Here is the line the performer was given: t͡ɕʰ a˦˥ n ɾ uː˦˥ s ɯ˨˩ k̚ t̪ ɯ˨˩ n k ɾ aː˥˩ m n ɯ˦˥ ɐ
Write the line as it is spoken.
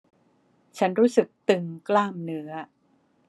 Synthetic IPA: t͡ɕʰ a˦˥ n ɾ uː˦˥ s ɯ˨˩ k̚ t̪ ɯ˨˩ ŋ k l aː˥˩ m n ɯ˦˥ ɐ